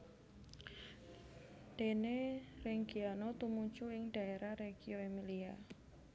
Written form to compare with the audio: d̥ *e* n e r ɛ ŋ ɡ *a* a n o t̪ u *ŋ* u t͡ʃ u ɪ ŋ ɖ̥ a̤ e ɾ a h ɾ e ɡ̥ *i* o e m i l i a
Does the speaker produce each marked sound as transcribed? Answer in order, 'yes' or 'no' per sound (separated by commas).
yes, no, no, yes